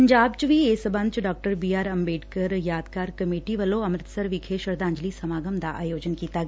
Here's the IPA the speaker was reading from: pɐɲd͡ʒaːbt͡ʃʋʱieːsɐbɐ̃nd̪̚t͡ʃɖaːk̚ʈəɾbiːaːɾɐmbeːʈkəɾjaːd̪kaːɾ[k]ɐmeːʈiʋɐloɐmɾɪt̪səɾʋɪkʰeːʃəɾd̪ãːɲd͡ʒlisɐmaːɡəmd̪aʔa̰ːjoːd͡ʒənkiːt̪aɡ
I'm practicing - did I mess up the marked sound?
no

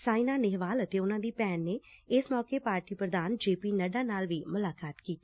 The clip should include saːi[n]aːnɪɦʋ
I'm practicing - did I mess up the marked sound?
no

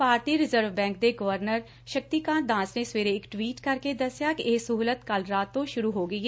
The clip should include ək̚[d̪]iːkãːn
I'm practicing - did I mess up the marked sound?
yes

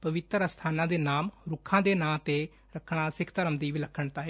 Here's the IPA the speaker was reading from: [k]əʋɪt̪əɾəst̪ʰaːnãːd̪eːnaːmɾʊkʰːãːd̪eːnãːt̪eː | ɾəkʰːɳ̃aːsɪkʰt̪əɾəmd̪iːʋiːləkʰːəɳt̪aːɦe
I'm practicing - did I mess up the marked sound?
yes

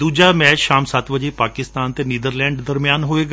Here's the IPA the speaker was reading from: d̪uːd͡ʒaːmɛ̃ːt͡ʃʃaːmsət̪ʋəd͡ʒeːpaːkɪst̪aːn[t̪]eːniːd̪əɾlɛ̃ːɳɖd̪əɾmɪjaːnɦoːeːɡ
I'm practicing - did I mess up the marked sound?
no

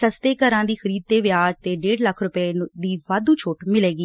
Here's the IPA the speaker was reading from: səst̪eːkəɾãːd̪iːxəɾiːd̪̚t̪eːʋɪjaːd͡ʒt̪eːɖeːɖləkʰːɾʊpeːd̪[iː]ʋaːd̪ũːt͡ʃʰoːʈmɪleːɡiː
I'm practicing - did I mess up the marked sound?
no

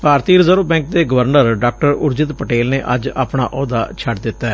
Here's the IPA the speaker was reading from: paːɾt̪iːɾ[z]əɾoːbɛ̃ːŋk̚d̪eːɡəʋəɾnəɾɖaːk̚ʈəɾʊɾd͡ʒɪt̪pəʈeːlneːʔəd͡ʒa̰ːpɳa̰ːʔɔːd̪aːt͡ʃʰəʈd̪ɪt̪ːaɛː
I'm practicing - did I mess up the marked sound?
no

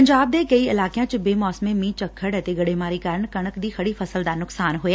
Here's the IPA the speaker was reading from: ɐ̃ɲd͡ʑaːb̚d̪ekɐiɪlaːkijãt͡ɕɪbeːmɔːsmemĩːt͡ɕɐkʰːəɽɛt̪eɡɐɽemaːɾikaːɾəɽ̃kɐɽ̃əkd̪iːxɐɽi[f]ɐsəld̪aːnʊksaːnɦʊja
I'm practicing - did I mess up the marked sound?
no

